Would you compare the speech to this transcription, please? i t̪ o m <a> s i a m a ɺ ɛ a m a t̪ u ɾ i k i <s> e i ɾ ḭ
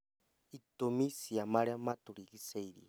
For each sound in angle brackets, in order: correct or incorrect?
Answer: incorrect, correct

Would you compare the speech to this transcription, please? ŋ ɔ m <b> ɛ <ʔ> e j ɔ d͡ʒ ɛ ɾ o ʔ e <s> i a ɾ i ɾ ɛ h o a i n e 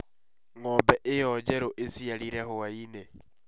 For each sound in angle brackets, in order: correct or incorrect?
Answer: correct, correct, correct

